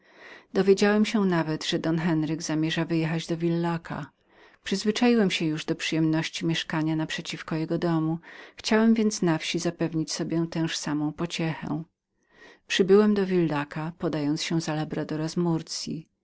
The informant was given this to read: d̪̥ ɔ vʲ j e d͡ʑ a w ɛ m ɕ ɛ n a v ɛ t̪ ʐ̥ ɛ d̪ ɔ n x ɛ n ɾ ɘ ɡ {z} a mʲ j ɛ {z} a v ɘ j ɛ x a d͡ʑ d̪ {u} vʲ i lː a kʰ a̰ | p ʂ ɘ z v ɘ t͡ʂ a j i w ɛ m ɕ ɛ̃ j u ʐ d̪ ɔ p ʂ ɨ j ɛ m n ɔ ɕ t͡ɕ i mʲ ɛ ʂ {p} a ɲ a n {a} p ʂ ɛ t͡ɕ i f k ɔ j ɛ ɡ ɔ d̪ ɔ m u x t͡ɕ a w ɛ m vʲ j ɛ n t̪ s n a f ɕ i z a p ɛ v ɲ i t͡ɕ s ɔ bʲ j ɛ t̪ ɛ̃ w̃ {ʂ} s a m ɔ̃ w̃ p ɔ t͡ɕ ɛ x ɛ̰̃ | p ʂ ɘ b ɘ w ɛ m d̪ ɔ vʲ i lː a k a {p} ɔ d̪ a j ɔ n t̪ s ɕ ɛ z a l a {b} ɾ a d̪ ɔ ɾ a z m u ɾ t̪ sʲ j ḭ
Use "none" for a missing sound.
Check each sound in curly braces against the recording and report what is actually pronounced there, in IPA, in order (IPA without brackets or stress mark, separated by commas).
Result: z, ʐ, ɔ, k, a, ʂ, p, b